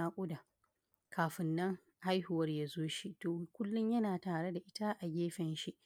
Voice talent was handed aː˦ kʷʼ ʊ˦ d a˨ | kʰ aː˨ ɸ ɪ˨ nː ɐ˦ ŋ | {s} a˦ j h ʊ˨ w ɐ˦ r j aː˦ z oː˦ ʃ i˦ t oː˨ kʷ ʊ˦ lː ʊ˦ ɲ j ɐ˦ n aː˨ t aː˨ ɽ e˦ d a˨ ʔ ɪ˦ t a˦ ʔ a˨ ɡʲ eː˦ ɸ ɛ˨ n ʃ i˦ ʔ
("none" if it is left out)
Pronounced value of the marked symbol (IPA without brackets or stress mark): h